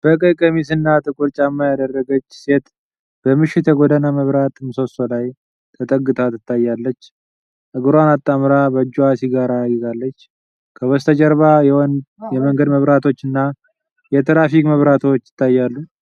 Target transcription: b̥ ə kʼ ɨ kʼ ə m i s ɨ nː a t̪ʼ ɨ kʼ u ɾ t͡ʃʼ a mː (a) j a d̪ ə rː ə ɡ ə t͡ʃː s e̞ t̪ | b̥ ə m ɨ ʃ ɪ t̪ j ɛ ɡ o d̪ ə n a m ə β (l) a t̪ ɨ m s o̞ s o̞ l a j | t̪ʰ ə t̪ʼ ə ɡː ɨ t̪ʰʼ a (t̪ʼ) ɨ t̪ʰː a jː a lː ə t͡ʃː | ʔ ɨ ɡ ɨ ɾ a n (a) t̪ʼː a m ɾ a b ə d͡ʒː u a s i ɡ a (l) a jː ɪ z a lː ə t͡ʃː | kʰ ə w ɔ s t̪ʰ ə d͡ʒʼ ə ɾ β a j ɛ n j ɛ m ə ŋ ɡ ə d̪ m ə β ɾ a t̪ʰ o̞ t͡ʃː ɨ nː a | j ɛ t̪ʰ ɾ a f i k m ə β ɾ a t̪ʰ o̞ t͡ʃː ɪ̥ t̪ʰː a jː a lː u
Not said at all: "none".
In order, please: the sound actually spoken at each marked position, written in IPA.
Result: a, ɾ, t̪, a, ɾ

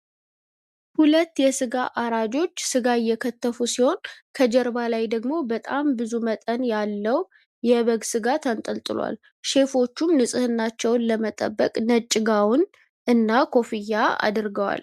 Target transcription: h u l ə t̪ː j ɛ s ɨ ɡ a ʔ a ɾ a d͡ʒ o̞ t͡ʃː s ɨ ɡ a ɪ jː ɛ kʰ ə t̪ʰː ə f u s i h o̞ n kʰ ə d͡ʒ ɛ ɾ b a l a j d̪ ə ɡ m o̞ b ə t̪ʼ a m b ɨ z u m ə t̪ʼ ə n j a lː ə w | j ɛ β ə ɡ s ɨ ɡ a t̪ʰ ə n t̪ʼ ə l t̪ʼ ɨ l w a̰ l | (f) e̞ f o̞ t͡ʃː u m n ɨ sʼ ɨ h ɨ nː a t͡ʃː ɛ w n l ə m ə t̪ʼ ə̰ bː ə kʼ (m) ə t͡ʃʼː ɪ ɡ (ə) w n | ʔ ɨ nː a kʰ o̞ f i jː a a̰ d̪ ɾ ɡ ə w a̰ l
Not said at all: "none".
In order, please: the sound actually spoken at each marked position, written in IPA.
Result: ʃ, n, a

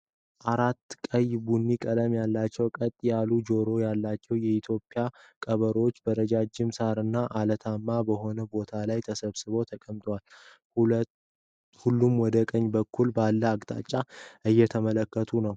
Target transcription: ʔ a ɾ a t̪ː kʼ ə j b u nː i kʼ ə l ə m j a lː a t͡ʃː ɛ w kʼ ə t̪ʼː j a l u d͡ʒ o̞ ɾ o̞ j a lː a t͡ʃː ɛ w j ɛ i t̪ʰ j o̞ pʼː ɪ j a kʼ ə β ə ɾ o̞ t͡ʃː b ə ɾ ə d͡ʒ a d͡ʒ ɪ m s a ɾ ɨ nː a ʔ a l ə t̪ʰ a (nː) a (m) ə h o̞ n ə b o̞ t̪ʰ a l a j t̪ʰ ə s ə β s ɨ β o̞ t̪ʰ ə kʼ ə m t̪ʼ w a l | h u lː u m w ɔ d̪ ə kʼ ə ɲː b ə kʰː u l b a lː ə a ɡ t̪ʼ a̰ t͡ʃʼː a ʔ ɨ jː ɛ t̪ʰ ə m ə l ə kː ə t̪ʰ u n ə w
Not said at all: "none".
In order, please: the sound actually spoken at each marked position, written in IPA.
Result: mː, b

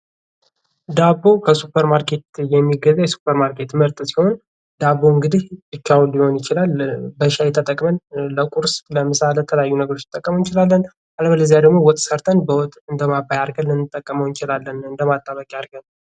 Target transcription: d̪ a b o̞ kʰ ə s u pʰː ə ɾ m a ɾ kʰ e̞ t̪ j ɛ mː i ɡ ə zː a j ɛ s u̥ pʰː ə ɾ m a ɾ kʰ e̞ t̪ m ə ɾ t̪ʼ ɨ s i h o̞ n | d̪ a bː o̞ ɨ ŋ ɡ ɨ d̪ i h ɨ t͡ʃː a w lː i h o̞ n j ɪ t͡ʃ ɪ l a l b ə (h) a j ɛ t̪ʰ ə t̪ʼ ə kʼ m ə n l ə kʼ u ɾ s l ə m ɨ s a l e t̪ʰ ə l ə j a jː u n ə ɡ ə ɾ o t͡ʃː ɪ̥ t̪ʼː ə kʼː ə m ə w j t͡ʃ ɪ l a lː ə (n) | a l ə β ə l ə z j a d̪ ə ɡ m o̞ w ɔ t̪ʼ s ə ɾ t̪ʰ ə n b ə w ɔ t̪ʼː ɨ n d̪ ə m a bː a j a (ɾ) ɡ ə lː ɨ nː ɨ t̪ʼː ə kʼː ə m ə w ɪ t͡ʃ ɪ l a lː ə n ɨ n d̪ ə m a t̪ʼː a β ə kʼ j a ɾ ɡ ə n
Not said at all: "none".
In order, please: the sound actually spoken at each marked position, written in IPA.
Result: ʃ, n, ɾ

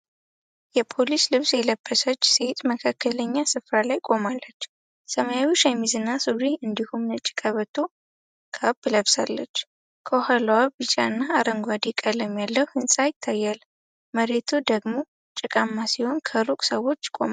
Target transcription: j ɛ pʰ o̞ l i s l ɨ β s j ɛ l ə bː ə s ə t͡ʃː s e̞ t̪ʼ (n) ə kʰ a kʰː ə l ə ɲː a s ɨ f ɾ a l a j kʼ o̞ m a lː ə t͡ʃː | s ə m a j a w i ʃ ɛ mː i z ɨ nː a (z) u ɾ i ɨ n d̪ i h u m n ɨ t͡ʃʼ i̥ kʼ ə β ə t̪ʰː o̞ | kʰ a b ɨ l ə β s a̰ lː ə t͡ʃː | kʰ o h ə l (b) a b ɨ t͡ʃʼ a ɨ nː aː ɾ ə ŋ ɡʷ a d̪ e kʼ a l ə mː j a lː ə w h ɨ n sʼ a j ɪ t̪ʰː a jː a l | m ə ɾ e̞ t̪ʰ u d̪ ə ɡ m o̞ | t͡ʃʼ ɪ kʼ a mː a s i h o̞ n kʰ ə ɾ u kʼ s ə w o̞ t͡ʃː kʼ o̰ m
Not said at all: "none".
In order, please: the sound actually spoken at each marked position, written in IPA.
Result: m, s, w

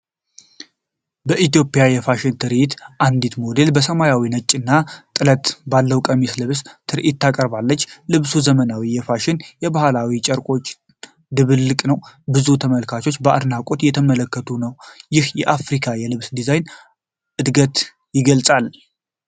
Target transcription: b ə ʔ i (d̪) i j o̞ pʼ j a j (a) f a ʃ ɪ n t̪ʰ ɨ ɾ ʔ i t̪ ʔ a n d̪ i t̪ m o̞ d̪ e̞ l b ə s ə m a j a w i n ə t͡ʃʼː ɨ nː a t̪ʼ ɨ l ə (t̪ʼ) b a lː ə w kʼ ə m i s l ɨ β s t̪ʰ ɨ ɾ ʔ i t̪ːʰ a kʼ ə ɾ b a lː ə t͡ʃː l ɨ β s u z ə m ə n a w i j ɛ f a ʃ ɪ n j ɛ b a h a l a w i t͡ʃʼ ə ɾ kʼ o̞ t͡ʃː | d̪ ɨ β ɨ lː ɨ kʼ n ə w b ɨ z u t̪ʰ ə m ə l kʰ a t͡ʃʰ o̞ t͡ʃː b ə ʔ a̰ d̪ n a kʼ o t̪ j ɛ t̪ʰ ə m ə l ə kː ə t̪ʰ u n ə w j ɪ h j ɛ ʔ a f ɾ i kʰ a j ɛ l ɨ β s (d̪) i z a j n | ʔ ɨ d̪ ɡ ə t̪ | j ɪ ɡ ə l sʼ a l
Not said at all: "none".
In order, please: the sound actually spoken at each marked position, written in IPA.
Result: t̪, ɛ, t̪, d̪

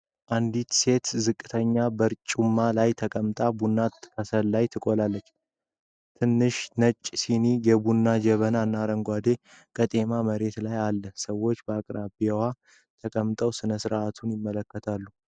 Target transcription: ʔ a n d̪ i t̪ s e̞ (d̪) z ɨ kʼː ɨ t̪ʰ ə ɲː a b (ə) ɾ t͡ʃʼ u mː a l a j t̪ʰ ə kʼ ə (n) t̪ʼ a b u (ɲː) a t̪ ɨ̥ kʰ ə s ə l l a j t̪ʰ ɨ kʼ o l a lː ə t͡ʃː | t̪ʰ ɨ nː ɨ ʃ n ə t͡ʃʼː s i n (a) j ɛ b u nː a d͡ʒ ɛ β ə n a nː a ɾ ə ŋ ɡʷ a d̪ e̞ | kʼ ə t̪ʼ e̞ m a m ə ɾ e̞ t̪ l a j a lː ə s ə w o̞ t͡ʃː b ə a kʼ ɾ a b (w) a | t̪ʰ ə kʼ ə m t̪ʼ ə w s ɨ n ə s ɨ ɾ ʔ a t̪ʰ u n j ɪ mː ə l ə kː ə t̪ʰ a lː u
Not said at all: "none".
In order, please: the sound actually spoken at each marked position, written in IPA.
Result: t̪, ə, m, nː, i, w

